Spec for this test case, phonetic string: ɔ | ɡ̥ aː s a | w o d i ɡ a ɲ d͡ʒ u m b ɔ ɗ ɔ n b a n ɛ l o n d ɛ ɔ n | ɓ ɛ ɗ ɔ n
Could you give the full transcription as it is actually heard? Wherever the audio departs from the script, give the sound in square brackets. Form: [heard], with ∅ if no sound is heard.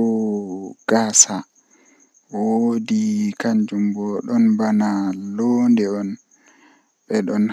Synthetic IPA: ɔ | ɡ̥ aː s a | w o d i [k] a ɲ d͡ʒ u m b ɔ ɗ ɔ n b a n [a] l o n d ɛ ɔ n | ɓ ɛ ɗ ɔ n